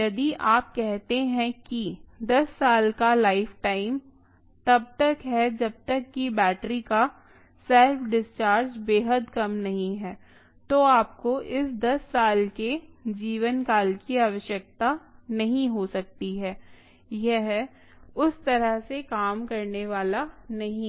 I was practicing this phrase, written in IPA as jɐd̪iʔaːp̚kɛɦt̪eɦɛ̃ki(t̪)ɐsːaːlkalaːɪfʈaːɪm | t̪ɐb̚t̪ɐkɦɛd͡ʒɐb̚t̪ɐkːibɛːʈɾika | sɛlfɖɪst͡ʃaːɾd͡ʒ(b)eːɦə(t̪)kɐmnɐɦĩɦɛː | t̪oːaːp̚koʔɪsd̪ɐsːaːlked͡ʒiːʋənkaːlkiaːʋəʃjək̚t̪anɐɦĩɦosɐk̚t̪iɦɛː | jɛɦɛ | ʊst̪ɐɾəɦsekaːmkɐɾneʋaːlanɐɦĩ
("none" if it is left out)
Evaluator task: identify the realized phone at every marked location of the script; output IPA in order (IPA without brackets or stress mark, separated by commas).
d̪, b, d̪